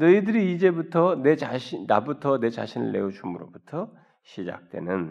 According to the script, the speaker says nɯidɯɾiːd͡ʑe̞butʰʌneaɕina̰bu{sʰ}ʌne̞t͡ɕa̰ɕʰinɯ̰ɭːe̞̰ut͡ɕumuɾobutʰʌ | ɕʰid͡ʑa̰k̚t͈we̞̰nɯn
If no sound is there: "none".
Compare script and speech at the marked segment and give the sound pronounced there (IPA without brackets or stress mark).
tʰ